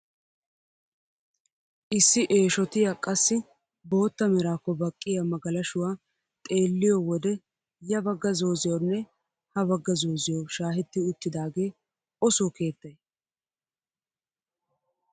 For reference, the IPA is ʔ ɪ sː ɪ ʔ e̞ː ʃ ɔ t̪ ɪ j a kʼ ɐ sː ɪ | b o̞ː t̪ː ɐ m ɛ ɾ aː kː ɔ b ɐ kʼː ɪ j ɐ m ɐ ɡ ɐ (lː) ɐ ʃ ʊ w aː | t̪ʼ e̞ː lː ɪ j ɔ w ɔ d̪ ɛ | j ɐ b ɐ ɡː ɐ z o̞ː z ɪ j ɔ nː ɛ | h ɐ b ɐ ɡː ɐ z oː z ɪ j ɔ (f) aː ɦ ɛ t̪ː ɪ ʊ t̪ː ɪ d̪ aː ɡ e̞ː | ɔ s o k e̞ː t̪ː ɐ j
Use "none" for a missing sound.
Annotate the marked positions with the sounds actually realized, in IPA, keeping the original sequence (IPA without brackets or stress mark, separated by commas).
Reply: l, ʃ